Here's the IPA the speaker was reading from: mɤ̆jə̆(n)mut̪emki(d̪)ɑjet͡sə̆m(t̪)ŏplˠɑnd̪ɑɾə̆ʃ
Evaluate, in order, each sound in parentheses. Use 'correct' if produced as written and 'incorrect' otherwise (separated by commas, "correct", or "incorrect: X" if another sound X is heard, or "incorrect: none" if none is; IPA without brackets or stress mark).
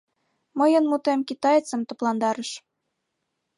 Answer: correct, incorrect: t̪, correct